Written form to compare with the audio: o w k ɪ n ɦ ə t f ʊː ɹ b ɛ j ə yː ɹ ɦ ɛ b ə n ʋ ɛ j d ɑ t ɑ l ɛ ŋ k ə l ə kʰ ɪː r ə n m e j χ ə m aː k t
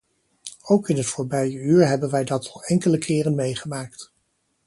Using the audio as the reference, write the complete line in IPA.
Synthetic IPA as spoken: o w k ɪ n ɦ ə t f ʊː ɹ b ɛ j ə yː ɹ ɦ ɛ b ə n ʋ ɛ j d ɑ t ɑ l ɛ ŋ k ə l ə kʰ ɪː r ə n m e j χ ə m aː k t